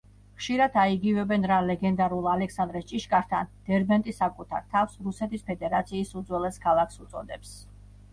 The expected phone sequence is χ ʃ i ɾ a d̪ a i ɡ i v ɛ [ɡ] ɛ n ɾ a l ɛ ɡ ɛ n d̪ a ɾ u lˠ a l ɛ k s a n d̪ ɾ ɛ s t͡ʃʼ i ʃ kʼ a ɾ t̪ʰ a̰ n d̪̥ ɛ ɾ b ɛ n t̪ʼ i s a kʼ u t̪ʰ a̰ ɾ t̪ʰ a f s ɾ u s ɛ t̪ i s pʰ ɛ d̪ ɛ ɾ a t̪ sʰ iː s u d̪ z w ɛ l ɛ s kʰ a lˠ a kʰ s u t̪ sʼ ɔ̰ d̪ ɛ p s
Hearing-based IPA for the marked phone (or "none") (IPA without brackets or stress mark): b